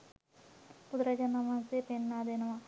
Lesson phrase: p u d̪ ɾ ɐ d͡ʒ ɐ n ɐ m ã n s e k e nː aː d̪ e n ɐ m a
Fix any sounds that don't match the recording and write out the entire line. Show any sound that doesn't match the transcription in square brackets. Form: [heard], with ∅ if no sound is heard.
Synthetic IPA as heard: p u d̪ ɾ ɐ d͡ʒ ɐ n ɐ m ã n s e [p] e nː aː d̪ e n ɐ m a